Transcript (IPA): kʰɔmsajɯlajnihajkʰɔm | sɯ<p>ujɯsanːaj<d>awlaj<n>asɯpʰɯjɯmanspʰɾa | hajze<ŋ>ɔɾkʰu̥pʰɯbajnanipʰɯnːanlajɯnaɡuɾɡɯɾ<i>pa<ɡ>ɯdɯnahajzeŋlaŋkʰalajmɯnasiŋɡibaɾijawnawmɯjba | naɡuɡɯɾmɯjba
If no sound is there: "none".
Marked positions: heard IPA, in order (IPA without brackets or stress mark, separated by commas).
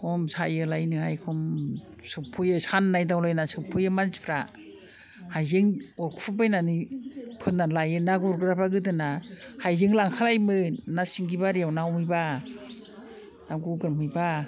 pʰ, d, n, ŋ, a, ɡ